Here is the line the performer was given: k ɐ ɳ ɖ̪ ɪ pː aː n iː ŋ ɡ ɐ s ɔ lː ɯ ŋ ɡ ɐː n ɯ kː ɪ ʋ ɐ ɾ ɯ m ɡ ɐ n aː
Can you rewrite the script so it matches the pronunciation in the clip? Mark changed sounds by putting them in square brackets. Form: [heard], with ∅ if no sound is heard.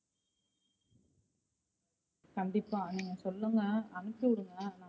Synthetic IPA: k ɐ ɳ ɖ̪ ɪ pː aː n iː ŋ ɡ ɐ s ɔ lː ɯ ŋ ɡ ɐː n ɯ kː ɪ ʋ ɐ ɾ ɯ [ŋ] ɡ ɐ n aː